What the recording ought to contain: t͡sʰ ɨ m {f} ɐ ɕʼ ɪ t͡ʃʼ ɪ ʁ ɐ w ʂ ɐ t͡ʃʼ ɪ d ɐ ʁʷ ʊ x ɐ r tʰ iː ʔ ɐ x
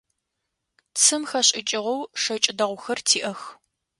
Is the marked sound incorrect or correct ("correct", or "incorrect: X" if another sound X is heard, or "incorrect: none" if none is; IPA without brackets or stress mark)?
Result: incorrect: x